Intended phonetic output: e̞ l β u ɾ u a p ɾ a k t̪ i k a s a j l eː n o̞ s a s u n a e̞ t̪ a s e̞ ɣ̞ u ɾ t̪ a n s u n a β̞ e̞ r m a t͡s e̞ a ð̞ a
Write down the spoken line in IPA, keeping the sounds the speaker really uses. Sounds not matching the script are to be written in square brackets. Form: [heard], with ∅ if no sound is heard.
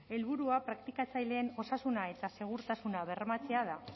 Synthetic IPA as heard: e̞ l β u ɾ u a p ɾ a k t̪ i k a [t͡s] a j l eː n o̞ s a s u n a e̞ t̪ a s e̞ ɣ̞ u ɾ t̪ a [∅] s u n a β̞ e̞ r m a t͡s e̞ a ð̞ a